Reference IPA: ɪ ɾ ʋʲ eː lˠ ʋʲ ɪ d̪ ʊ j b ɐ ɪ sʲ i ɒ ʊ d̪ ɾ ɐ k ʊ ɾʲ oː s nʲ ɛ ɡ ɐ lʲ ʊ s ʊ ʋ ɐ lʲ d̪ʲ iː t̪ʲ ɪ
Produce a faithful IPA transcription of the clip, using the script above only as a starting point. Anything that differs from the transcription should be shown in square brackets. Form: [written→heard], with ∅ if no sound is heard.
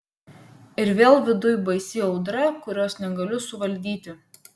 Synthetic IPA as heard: ɪ ɾ ʋʲ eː lˠ ʋʲ ɪ d̪ ʊ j b ɐ ɪ sʲ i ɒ ʊ d̪ ɾ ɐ k ʊ ɾʲ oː s nʲ ɛ ɡ ɐ lʲ ʊ s ʊ ʋ ɐ lʲ d̪ʲ iː t̪ʲ ɪ